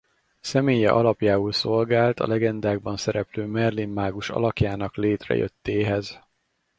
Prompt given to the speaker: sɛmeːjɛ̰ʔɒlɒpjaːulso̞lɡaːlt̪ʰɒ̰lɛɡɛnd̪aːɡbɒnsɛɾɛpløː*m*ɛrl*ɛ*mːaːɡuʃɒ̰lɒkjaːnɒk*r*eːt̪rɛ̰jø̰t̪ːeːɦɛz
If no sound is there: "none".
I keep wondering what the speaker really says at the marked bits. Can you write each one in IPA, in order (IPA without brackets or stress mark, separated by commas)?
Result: m, i, l